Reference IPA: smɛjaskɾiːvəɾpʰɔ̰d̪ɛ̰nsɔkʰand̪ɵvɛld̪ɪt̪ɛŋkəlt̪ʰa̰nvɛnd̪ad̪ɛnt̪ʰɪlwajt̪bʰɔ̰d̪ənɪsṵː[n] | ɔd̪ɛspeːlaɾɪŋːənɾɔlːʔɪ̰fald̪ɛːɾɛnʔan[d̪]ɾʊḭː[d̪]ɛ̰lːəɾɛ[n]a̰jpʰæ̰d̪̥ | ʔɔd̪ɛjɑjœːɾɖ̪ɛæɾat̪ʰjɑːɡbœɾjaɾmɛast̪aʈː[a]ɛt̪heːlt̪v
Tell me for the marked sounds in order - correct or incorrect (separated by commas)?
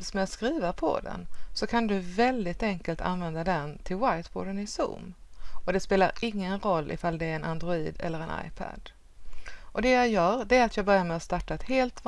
incorrect, correct, correct, correct, correct